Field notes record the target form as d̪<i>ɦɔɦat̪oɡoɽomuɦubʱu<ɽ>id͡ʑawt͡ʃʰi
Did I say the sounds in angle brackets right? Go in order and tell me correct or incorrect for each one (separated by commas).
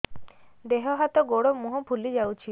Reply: incorrect, incorrect